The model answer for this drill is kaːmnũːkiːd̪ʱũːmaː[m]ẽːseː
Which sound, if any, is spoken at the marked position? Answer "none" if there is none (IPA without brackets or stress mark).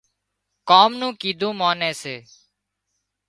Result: n